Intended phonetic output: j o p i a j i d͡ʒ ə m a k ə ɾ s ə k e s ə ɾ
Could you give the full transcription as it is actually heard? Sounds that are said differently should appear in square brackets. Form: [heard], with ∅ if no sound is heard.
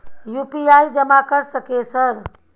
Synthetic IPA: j [u] p i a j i d͡ʒ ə m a k ə ɾ s ə k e s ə ɾ